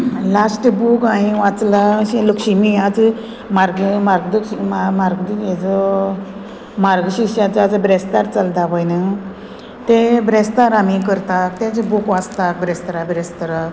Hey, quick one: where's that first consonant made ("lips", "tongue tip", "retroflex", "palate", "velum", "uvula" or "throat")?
tongue tip